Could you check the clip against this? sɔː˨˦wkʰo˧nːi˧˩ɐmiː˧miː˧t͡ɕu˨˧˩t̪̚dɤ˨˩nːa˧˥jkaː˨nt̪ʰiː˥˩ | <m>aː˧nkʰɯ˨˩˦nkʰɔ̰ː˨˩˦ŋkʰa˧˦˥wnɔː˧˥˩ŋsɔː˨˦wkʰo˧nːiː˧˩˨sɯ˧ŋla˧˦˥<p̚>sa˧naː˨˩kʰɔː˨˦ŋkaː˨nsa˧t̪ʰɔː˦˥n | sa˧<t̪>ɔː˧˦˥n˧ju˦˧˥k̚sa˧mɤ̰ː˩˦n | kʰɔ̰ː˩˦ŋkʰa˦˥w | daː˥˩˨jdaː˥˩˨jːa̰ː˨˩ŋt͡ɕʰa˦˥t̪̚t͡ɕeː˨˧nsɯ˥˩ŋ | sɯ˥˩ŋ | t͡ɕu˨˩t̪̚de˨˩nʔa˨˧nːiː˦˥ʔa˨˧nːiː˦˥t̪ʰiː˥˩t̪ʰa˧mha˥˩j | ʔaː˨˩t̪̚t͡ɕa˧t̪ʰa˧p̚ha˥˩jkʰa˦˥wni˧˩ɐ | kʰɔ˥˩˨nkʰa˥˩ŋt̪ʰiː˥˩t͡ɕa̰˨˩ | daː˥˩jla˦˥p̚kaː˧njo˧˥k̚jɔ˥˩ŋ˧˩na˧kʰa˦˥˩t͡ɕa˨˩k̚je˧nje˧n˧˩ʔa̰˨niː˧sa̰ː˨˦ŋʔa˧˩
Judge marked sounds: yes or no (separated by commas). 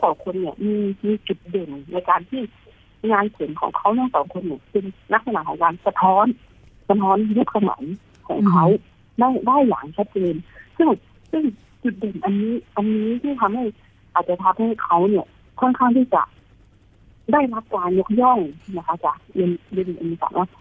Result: no, no, no